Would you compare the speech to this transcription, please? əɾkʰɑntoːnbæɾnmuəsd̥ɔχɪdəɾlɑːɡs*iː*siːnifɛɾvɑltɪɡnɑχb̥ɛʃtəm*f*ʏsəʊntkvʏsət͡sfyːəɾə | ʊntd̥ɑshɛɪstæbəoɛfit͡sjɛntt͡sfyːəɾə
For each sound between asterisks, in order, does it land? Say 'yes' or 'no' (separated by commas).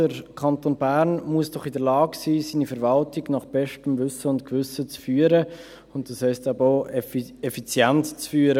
yes, no